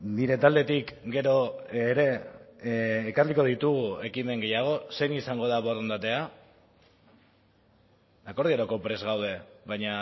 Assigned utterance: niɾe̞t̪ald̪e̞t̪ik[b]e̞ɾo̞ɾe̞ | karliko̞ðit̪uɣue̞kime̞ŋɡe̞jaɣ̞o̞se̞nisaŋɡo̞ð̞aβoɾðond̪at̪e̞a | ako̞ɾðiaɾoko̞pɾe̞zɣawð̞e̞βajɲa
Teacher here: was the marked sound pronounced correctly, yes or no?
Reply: no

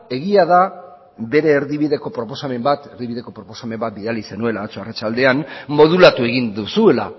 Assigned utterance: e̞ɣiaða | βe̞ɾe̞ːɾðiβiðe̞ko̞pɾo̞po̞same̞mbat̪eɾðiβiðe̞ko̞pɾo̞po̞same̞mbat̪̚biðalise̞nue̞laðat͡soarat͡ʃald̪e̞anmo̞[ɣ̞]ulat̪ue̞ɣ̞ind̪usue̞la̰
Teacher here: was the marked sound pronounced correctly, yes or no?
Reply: no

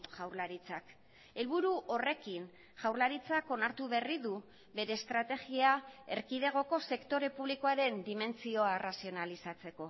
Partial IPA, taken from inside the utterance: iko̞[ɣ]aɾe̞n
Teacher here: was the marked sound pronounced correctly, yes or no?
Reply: no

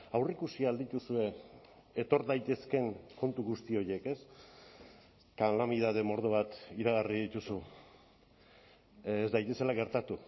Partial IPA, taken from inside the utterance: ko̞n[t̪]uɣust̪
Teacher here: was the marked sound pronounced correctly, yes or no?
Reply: yes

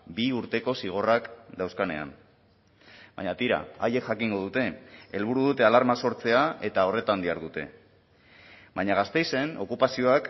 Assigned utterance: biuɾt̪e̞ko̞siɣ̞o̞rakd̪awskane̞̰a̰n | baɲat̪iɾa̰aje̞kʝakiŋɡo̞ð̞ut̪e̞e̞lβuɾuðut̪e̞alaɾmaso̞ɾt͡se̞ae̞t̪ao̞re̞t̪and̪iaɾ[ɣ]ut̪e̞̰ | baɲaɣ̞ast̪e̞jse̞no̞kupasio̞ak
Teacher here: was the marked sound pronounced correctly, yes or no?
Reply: no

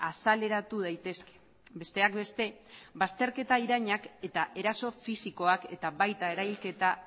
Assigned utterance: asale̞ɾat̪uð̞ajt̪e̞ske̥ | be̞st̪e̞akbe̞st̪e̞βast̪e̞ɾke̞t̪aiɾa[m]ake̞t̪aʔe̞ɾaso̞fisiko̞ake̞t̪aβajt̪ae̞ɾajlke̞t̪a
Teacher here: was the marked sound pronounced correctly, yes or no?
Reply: no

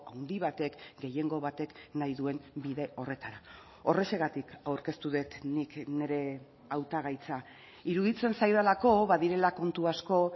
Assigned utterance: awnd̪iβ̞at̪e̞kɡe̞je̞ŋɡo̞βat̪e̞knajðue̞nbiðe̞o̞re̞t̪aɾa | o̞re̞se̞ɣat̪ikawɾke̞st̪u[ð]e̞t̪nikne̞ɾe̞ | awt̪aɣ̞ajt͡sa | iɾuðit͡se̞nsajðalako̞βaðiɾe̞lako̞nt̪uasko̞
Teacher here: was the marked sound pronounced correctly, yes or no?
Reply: yes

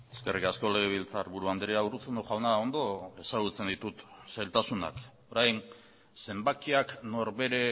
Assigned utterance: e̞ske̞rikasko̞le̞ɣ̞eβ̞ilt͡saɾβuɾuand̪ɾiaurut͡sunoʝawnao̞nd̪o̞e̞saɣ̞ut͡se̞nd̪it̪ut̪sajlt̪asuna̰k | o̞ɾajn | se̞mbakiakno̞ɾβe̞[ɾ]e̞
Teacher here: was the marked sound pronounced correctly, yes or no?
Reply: yes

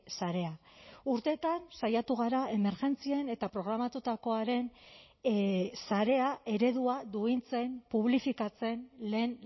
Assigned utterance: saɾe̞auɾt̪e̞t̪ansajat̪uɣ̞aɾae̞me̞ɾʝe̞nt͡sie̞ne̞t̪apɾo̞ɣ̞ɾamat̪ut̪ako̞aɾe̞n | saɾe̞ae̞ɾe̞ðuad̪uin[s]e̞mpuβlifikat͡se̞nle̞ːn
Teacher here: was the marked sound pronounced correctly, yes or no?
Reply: no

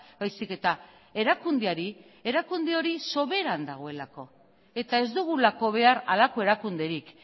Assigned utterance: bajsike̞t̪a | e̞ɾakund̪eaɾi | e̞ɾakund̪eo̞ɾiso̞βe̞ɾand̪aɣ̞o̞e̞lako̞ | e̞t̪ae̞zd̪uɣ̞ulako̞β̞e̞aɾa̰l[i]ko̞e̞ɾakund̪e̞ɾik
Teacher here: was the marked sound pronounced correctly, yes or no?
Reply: no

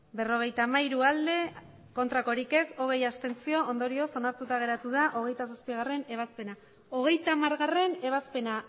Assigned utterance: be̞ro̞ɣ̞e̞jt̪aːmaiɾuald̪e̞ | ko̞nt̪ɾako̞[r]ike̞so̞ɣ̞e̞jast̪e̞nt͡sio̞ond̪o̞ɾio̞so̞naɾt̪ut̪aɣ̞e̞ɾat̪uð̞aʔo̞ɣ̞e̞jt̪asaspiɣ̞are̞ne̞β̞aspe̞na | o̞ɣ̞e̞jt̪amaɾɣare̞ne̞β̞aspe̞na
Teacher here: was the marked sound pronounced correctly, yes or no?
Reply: no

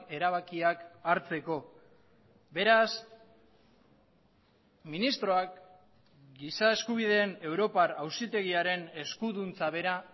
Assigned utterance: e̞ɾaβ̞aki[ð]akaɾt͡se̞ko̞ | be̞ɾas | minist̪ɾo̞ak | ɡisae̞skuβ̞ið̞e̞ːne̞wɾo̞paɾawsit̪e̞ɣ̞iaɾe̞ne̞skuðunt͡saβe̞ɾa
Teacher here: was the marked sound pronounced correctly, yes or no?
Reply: no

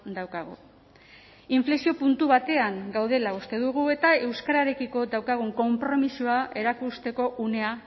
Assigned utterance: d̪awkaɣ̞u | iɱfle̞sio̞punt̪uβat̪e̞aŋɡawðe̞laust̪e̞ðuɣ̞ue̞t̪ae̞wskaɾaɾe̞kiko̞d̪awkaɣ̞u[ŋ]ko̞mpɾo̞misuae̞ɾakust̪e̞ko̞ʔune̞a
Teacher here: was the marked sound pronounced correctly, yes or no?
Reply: yes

